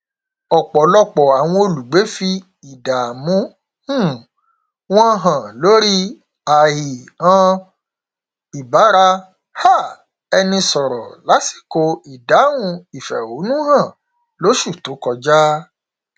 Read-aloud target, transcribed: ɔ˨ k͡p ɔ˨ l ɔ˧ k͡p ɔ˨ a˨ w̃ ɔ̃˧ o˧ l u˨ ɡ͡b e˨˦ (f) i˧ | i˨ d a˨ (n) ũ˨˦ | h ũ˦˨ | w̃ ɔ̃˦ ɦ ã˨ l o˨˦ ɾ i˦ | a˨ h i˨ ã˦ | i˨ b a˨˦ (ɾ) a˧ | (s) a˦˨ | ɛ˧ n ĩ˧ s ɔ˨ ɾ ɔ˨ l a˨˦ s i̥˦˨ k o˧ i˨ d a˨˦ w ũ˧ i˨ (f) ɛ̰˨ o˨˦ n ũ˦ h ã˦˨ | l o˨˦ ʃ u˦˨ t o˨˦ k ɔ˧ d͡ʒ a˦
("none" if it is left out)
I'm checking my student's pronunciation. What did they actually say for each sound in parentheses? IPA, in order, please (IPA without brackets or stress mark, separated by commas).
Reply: f, m, ɾ, h, f